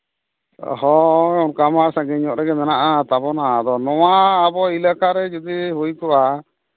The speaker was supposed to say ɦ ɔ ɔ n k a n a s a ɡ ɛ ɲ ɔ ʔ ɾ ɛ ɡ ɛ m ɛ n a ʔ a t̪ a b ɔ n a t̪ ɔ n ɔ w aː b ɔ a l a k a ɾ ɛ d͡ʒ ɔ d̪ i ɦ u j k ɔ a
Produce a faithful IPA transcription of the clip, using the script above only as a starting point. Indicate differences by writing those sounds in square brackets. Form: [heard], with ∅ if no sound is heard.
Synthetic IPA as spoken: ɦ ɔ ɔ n k a [m] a s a ɡ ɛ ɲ ɔ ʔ ɾ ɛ ɡ ɛ m ɛ n a ʔ a t̪ a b ɔ n a [d̪] ɔ n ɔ w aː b ɔ [i] l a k a ɾ ɛ d͡ʒ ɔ d̪ i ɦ u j k ɔ a

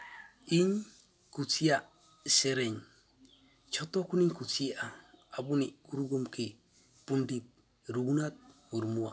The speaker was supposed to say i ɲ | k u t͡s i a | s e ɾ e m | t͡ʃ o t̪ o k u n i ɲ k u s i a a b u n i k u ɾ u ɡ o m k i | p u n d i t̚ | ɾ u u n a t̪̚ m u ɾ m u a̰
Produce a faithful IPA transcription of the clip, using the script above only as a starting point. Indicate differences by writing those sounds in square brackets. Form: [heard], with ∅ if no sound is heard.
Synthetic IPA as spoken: i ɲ | k u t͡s i a | s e ɾ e [ɲ] | t͡ʃ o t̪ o k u n i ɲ k u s i a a b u n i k u ɾ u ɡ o m k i | p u n d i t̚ | ɾ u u n a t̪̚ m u ɾ m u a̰

